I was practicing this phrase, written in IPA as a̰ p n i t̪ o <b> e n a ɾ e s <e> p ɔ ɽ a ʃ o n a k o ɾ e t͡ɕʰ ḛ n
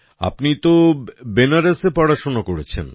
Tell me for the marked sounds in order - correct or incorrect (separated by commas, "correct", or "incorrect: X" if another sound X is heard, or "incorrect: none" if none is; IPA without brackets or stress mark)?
correct, correct